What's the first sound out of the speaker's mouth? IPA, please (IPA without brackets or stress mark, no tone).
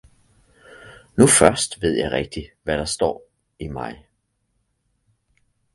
n